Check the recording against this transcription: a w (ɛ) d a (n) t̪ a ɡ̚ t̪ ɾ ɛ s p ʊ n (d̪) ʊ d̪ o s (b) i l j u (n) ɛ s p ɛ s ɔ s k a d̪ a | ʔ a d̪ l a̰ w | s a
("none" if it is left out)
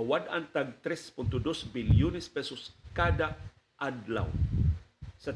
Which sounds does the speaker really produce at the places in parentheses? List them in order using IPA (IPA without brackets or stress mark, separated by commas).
a, n, t̪, b, n